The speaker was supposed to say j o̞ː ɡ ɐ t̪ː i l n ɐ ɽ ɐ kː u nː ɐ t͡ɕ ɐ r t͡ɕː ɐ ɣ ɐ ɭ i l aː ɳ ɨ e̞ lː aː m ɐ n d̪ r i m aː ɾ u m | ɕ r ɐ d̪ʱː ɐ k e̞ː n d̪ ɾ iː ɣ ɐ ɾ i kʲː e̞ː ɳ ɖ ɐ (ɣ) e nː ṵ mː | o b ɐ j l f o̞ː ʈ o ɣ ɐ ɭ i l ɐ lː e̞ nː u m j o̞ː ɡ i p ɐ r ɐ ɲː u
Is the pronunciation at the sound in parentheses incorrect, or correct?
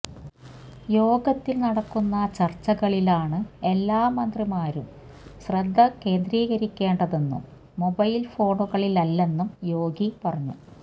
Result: incorrect